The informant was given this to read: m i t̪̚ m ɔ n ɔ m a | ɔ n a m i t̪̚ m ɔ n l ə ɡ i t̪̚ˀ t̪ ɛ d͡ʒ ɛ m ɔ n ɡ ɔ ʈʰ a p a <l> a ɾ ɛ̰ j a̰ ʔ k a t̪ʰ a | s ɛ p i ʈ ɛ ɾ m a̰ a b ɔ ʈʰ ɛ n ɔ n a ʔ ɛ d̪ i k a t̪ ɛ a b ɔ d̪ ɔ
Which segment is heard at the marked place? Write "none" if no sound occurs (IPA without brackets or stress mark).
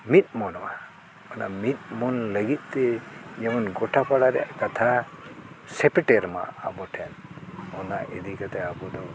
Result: ɽ